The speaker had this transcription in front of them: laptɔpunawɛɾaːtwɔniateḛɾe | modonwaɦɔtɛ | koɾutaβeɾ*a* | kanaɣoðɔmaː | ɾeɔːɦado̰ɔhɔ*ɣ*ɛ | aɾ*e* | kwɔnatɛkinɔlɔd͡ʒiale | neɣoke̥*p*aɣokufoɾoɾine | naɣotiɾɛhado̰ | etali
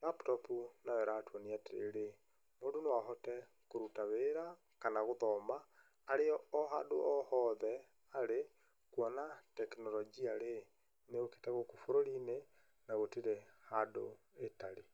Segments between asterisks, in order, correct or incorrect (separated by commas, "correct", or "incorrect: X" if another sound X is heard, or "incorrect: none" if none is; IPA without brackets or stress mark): correct, incorrect: ð, correct, incorrect: t